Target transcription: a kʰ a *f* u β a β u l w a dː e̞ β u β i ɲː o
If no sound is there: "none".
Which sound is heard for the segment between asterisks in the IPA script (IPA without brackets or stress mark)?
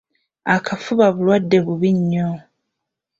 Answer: f